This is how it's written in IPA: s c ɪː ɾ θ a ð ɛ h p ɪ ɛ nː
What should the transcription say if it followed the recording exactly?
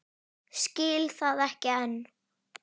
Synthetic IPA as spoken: s c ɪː l θ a ð ɛ h c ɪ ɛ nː